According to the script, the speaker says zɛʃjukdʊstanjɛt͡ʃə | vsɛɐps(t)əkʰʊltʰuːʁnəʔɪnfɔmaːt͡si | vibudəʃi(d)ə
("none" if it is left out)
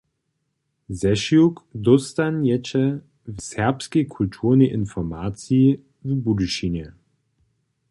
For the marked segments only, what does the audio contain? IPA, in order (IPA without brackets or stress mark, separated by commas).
k, n